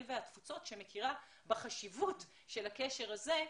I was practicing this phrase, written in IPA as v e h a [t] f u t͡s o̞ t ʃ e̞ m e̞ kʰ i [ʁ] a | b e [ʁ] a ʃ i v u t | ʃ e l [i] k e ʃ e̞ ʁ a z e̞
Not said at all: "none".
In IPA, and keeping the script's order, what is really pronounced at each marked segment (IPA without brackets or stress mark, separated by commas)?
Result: t, ʁ, χ, a